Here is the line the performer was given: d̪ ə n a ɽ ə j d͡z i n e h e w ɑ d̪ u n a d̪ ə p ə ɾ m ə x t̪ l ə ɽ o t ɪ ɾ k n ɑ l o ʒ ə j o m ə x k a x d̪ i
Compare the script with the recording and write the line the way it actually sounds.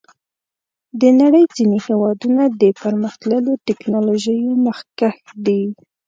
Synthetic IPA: d̪ ə n a ɽ ə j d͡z i n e h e w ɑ d̪ u n a d̪ ə p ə ɾ m ə x t̪ l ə l o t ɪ k n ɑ l o ʒ ə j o m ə x k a x d̪ i